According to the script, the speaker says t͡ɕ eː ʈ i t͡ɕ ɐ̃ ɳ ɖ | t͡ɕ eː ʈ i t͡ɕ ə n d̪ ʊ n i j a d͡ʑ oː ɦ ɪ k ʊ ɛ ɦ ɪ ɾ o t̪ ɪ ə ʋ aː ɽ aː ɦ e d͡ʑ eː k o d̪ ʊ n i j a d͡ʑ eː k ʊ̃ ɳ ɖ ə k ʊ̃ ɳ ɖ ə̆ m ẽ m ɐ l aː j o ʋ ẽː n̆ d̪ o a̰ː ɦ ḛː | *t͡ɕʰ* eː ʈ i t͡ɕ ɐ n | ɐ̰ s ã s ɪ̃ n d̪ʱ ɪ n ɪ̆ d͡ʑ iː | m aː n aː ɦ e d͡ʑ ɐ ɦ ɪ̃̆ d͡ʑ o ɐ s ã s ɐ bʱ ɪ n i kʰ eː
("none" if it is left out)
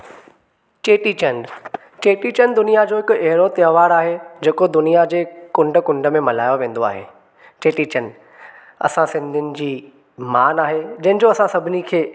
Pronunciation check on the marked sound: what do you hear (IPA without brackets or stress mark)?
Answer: t͡ɕ